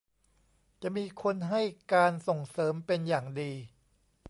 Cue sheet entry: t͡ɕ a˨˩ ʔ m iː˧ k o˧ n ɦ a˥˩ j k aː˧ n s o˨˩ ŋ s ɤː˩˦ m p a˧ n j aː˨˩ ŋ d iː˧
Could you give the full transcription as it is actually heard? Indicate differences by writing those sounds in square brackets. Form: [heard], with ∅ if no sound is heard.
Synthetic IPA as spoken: t͡ɕ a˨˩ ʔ m iː˧ [kʰ] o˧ n ɦ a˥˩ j k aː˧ n s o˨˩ ŋ s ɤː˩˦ m p [e˧] n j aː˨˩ ŋ d iː˧